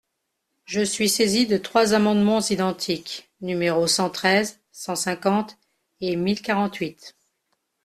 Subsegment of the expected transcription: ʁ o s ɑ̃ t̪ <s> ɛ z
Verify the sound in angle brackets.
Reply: incorrect: χ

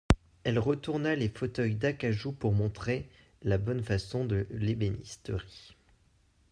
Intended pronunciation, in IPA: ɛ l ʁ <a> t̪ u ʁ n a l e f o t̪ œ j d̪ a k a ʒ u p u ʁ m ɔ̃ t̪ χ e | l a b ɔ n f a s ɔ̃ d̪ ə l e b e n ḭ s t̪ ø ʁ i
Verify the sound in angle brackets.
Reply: incorrect: ə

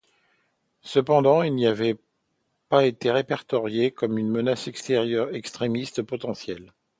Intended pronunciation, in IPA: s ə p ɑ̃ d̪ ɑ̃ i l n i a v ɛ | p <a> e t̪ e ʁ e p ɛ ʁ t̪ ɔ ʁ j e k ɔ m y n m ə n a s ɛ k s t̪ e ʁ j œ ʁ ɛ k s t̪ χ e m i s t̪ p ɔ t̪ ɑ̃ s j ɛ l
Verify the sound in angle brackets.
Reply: correct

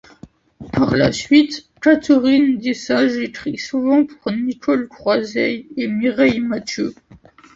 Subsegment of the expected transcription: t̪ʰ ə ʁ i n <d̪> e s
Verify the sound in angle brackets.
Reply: correct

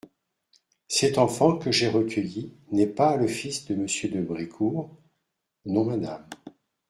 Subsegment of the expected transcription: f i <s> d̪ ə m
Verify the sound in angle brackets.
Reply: correct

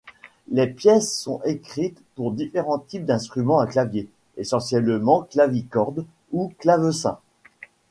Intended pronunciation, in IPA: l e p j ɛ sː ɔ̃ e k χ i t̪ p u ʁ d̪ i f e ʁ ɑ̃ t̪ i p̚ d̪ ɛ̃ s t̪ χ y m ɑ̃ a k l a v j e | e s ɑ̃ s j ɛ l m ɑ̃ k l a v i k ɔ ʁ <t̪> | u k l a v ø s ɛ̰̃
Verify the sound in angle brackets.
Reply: incorrect: d̪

